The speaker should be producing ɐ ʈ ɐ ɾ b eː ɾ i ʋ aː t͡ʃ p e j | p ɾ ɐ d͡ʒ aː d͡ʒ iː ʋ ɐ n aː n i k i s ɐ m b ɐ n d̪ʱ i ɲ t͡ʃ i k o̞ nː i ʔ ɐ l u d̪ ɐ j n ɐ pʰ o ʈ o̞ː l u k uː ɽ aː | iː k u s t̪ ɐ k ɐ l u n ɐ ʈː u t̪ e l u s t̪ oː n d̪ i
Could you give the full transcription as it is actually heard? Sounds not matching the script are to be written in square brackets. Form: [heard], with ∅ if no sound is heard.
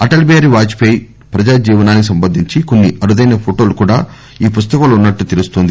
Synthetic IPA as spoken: ɐ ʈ ɐ [l] b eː ɾ i ʋ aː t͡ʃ p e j | p ɾ ɐ d͡ʒ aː d͡ʒ iː ʋ ɐ n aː n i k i s ɐ m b ɐ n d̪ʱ i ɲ t͡ʃ i k o̞ nː i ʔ ɐ [ɾ] u d̪ ɐ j n ɐ pʰ o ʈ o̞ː l u k uː ɽ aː | iː [p] u s t̪ ɐ k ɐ l u [nː] ɐ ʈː u t̪ e l u s t̪ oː n d̪ i